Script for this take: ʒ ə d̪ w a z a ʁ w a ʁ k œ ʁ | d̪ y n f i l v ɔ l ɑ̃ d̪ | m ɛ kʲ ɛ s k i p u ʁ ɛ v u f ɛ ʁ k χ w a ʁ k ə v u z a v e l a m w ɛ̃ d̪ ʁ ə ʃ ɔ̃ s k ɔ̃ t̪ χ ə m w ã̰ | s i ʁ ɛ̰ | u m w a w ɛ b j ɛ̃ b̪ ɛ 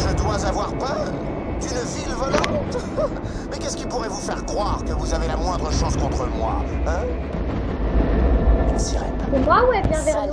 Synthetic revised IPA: ʒ ə d̪ w a z a v w a ʁ p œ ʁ | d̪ y n v i l v ɔ l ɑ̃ t̪ | m ɛ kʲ ɛ s k i p u ʁ ɛ v u f ɛ ʁ k χ w a ʁ k ə v u z a v e l a m w ɛ̃ d̪ ʁ ə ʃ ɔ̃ s k ɔ̃ t̪ χ ə m w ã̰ | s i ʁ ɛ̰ | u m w a w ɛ b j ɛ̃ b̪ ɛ